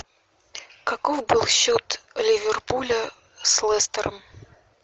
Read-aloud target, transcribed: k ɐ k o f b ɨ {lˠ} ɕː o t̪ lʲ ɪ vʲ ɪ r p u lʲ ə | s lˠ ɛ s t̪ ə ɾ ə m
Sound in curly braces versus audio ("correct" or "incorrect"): correct